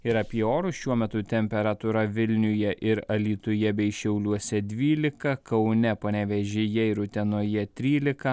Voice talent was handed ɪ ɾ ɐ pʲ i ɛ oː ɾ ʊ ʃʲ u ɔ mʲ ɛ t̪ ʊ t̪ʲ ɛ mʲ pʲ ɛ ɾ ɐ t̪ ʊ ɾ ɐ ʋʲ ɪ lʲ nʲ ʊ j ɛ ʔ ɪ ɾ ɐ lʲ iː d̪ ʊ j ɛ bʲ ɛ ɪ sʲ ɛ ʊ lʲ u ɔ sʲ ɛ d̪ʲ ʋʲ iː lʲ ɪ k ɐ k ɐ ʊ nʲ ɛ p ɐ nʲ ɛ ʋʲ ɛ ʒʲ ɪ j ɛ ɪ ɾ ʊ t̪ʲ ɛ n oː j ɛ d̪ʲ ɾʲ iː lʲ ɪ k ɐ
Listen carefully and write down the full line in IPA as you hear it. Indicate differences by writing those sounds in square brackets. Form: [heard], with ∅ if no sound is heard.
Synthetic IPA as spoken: ɪ ɾ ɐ pʲ i ɛ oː ɾ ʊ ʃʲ u ɔ mʲ ɛ t̪ ʊ t̪ʲ ɛ mʲ pʲ ɛ ɾ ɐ t̪ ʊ ɾ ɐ ʋʲ ɪ lʲ nʲ ʊ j ɛ ʔ ɪ ɾ ɐ lʲ iː [t̪] ʊ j ɛ bʲ ɛ ɪ [ʃʲ] ɛ ʊ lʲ u ɔ sʲ ɛ d̪ʲ ʋʲ iː lʲ ɪ k ɐ k ɐ ʊ nʲ ɛ p ɐ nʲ ɛ ʋʲ ɛ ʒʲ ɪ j ɛ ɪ ɾ ʊ t̪ʲ ɛ n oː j ɛ [t̪ʲ] ɾʲ iː lʲ ɪ k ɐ

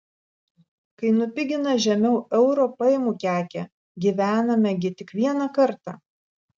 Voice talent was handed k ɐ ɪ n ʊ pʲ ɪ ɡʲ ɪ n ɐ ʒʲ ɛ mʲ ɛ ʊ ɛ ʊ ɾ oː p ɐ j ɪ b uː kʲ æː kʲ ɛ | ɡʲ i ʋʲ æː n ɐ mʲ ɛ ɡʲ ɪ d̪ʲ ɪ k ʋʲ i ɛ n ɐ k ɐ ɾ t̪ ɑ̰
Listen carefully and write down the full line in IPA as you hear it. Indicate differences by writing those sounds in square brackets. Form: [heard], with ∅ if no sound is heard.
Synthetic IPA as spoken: k ɐ ɪ n ʊ pʲ ɪ ɡʲ ɪ n ɐ ʒʲ ɛ mʲ ɛ ʊ ɛ ʊ ɾ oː p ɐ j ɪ [m] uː kʲ æː kʲ ɛ | ɡʲ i ʋʲ æː n ɐ mʲ ɛ ɡʲ ɪ [t̪ʲ] ɪ k ʋʲ i ɛ n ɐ k ɐ ɾ t̪ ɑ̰

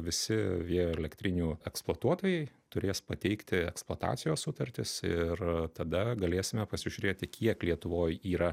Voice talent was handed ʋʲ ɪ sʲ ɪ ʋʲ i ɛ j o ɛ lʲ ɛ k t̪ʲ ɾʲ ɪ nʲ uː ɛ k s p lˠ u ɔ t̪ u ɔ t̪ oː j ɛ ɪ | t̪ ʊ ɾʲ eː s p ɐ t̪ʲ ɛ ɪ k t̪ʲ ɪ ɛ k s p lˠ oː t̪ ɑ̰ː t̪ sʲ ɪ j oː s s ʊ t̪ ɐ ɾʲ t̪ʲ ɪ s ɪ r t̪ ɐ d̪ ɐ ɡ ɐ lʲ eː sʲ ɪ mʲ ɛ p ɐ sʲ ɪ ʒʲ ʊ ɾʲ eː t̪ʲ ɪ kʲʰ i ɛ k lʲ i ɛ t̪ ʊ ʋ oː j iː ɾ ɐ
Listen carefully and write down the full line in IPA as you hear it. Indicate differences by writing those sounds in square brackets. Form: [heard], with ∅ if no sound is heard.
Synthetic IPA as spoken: ʋʲ ɪ sʲ ɪ ʋʲ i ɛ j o ɛ lʲ ɛ k t̪ʲ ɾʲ ɪ nʲ uː ɛ k s p lˠ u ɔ t̪ u ɔ t̪ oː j ɛ ɪ | t̪ ʊ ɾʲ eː s p ɐ t̪ʲ ɛ ɪ k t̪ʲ ɪ ɛ k s p lˠ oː t̪ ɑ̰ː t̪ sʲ ɪ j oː s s ʊ t̪ ɐ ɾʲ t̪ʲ ɪ s ɪ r t̪ ɐ d̪ ɐ ɡ ɐ lʲ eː sʲ ɪ mʲ ɛ p ɐ sʲ ɪ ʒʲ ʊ ɾʲ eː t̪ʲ ɪ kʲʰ i ɛ k lʲ i ɛ t̪ ʊ ʋ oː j iː ɾ ɐ

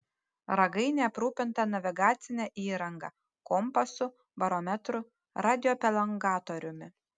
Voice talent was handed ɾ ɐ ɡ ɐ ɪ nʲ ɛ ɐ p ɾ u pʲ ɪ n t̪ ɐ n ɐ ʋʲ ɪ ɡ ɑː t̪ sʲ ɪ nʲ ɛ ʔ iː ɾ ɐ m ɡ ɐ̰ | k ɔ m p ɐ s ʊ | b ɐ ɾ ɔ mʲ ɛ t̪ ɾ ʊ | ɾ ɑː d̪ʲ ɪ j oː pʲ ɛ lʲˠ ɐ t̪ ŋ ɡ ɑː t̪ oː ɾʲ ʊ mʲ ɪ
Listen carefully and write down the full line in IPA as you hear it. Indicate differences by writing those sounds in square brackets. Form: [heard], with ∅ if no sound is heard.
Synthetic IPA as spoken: ɾ ɐ ɡ ɐ ɪ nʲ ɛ ɐ p ɾ [uː] pʲ ɪ n t̪ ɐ n ɐ ʋʲ ɪ ɡ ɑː t̪ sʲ ɪ nʲ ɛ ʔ iː ɾ ɐ [ŋ] ɡ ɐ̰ | k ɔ m p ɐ s ʊ | b ɐ ɾ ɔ mʲ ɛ t̪ ɾ ʊ | ɾ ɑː d̪ʲ ɪ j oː pʲ ɛ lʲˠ ɐ [∅] ŋ ɡ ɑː t̪ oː ɾʲ ʊ mʲ ɪ

